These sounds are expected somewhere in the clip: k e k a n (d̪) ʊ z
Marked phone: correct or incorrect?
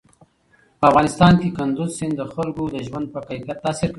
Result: correct